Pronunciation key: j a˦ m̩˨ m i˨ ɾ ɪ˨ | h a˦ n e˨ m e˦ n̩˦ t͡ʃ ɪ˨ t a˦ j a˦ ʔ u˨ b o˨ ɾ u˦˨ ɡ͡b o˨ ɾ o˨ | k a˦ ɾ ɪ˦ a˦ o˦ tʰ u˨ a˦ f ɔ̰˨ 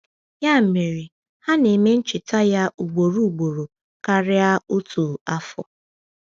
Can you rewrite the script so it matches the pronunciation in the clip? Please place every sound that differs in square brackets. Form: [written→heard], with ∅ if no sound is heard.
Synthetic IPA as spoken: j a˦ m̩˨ m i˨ ɾ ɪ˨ | h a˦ n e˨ m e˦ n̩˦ t͡ʃ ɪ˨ t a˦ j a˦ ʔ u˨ [b→ɡ͡b] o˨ ɾ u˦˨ ɡ͡b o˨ ɾ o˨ | k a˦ ɾ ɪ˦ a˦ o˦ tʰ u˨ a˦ f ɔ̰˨